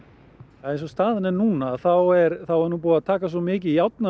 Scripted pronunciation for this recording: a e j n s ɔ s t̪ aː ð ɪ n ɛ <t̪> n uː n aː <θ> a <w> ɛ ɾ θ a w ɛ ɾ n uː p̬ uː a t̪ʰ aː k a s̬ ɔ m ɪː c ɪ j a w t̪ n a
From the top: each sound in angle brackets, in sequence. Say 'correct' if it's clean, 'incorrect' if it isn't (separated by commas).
incorrect, correct, correct